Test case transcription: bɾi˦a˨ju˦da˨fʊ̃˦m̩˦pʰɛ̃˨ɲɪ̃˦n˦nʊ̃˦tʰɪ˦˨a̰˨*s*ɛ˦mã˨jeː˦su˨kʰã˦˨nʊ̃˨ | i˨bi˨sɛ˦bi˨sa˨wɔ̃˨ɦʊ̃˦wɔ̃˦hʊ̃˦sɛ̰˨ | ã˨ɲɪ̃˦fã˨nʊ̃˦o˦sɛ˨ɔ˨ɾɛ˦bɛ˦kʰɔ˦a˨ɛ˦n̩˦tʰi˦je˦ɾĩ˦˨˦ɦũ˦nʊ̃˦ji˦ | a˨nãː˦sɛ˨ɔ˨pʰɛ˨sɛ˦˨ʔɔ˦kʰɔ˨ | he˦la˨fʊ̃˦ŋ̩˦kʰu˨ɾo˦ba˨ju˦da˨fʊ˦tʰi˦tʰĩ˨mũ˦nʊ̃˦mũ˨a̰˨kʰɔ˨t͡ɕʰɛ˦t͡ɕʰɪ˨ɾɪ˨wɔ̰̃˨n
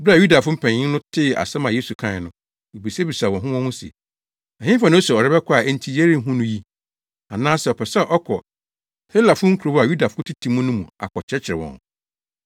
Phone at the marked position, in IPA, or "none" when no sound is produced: s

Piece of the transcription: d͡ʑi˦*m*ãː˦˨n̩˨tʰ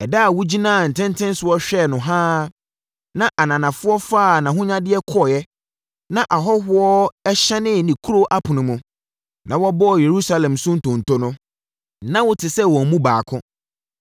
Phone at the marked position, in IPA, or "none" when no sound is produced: n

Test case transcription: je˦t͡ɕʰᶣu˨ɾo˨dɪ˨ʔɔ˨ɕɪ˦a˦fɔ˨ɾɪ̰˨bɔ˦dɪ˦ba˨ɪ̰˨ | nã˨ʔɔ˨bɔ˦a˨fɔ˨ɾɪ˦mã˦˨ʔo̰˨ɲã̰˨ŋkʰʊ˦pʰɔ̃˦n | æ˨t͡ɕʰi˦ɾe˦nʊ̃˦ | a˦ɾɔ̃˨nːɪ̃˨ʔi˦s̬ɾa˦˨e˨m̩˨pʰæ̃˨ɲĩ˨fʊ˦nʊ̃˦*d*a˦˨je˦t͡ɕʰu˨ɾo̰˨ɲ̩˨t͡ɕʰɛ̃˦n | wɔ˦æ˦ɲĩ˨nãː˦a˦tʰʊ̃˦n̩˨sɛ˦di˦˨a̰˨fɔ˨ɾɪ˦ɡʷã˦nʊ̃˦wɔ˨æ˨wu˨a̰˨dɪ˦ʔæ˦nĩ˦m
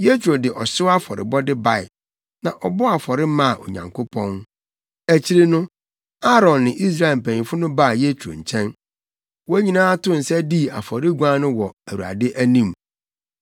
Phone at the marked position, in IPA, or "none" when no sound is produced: b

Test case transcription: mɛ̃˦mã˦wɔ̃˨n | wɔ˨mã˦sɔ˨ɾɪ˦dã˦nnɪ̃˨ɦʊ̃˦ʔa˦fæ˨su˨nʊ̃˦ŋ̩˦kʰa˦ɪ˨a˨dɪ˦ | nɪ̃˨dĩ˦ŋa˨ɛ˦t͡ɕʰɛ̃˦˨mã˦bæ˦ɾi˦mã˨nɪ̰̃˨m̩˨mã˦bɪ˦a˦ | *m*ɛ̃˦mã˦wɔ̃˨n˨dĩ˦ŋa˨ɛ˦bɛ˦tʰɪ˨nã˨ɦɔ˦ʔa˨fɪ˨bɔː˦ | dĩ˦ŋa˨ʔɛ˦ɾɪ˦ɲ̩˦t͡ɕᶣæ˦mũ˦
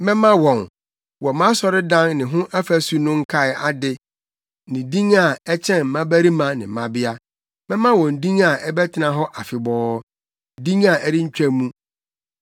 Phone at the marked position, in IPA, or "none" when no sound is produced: m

